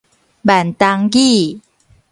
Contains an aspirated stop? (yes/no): no